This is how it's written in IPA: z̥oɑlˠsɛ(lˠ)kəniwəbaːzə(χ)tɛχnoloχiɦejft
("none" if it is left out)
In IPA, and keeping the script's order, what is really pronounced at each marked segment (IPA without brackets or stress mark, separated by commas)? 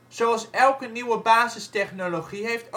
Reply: lˠ, s